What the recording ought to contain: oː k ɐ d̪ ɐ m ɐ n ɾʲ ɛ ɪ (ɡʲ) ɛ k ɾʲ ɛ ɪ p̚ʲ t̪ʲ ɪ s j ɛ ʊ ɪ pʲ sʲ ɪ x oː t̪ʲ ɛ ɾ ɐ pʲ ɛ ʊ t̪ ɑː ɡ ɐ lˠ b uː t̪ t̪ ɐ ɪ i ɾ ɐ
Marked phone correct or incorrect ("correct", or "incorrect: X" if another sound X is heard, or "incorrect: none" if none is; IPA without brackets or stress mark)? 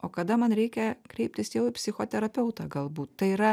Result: incorrect: kʲ